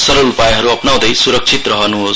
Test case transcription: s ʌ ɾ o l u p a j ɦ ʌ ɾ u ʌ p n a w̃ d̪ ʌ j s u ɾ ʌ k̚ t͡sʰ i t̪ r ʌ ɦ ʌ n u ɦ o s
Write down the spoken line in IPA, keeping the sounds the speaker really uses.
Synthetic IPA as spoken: s ʌ ɾ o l u p a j ɦ ʌ ɾ u ʌ p n a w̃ d̪ ʌ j s u ɾ ʌ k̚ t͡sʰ i t̪ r ʌ ɦ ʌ n u ɦ o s